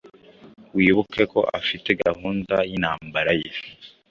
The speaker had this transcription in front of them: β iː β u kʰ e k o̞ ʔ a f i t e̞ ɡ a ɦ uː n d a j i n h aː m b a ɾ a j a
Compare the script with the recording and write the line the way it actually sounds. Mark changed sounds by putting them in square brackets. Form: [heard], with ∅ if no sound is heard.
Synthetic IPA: [w] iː β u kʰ e k o̞ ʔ a f i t e̞ ɡ a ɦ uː n d a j i n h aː m b a ɾ a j [e]